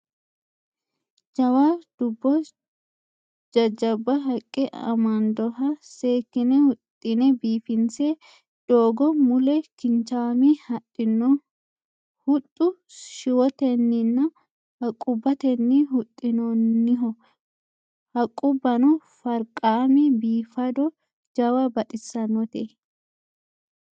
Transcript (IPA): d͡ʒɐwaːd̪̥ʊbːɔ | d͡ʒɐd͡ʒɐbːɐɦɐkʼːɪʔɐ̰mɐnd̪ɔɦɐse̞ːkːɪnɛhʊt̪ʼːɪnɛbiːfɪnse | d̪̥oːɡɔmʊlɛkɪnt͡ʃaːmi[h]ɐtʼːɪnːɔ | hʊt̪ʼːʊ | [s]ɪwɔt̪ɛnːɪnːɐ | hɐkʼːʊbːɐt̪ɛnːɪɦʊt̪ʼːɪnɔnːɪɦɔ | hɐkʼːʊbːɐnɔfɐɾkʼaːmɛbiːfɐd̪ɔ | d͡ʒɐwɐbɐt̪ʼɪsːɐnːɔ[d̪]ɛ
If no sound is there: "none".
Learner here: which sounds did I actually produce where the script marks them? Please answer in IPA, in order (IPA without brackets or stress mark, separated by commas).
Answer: h, ʃ, t̪